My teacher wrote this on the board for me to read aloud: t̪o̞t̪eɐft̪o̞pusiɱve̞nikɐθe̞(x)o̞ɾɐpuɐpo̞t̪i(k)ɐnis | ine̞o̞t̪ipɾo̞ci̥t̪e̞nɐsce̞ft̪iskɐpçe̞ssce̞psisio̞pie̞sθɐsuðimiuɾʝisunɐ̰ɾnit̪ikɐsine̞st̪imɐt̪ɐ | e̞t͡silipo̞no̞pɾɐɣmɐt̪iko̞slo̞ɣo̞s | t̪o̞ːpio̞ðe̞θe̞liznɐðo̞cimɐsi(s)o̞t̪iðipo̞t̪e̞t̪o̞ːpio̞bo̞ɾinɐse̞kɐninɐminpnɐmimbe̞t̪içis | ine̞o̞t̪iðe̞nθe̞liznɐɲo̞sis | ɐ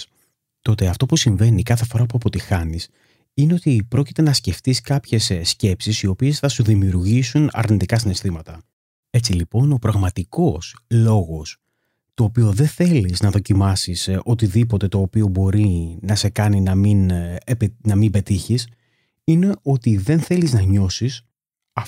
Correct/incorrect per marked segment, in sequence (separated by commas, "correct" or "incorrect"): incorrect, incorrect, correct